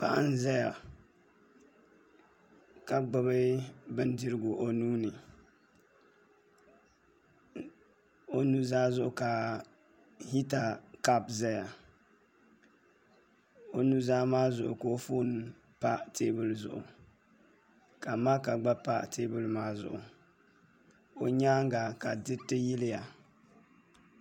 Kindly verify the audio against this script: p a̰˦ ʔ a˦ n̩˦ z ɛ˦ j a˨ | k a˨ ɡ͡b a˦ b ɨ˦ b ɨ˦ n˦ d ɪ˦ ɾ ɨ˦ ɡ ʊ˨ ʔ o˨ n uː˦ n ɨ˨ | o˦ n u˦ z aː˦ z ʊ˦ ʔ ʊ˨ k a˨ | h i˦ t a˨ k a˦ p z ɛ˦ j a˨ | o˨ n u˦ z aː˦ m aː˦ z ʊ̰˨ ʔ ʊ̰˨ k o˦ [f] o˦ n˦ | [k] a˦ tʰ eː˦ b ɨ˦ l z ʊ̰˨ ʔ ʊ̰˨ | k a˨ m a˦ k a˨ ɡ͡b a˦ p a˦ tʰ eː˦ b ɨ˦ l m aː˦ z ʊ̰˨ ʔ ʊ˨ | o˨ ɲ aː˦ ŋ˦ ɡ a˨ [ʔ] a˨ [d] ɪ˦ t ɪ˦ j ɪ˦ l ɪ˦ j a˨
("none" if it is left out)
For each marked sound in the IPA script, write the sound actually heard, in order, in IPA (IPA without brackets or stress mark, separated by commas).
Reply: f, p, k, d